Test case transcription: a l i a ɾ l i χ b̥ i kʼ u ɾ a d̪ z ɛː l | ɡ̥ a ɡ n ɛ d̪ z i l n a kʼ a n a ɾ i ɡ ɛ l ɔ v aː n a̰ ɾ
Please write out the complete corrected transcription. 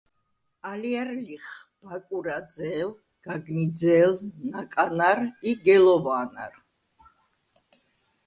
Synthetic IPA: a l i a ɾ l i χ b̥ a kʼ u ɾ a d̪ z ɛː l | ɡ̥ a ɡ n i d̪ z ɛ l n a kʼ a n a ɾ i ɡ ɛ l ɔ v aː n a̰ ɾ